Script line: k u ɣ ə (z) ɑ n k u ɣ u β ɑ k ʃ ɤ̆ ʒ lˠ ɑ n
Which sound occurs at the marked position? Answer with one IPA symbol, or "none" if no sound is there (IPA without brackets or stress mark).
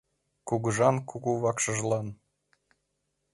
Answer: ʒ